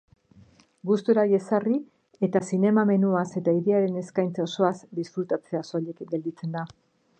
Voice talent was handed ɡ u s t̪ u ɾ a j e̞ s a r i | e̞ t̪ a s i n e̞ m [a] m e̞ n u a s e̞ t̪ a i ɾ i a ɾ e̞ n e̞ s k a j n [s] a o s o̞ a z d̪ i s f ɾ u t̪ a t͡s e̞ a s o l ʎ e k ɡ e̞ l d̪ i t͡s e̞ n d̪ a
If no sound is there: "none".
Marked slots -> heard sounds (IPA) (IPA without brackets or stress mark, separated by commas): a, t͡s